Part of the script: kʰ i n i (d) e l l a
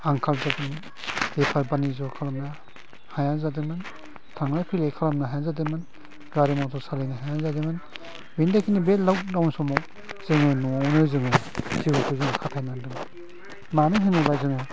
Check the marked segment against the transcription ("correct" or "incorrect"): incorrect